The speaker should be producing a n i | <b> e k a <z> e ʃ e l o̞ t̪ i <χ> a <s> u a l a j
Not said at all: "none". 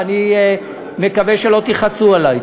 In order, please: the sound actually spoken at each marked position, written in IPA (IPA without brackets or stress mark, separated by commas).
m, v, χ, s